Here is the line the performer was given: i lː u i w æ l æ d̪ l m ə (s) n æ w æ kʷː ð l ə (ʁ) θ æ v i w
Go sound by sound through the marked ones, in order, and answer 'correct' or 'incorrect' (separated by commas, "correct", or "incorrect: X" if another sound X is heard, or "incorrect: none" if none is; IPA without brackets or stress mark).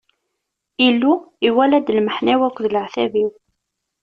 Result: incorrect: ħ, incorrect: ʕ